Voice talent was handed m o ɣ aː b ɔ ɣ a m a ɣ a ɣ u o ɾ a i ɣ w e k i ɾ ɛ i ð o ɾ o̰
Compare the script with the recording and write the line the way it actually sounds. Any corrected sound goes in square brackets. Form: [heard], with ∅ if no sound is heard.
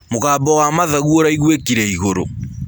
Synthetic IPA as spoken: m o ɣ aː b ɔ [w] a m a [ð] a ɣ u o ɾ a i ɣ w e k i ɾ ɛ i [ɣ] o ɾ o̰